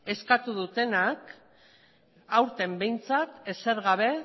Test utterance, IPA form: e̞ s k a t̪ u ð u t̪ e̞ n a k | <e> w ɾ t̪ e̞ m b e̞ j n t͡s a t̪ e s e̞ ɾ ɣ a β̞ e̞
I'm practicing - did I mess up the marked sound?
yes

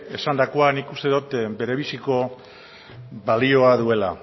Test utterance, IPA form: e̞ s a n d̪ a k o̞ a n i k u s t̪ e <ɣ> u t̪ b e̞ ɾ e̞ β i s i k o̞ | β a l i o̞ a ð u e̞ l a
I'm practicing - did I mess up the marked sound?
yes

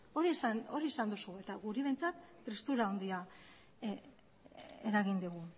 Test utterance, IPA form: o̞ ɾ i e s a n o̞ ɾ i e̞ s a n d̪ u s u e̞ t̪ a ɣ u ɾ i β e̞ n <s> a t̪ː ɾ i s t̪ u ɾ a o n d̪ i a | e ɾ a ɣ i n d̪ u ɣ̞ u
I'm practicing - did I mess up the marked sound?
yes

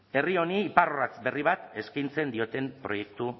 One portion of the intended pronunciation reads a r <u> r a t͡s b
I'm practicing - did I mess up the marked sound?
yes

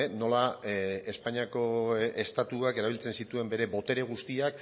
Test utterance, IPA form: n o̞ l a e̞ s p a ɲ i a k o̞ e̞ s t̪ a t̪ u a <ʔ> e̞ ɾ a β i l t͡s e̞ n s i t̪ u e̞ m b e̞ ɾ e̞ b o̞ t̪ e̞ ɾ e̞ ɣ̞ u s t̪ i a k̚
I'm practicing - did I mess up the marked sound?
yes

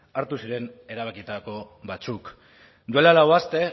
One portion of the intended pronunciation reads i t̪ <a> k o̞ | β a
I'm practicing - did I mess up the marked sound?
no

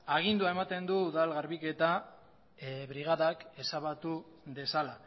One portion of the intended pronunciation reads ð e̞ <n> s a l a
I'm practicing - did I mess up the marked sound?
yes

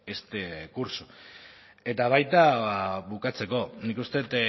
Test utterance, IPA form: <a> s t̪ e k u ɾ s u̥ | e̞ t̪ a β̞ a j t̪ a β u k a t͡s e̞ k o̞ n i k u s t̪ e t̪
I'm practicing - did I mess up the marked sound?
yes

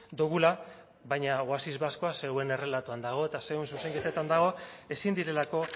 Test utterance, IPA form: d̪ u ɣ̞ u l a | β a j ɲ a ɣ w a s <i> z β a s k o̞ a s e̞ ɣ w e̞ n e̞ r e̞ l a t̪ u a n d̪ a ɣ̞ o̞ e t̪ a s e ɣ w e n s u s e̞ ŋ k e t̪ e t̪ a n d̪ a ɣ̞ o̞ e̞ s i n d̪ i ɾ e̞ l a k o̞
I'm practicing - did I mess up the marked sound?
no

